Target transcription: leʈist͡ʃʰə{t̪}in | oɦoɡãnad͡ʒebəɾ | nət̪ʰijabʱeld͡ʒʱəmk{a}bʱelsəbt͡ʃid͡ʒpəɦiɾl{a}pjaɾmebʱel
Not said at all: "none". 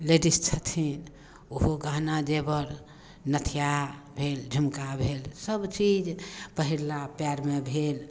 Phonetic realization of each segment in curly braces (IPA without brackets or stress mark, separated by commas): t̪ʰ, a, a